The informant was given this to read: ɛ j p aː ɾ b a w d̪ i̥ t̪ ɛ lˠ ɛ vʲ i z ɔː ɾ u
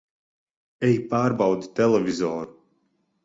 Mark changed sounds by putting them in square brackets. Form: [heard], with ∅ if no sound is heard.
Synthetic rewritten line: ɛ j p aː ɾ b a w d̪ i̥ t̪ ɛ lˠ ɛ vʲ i z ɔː ɾ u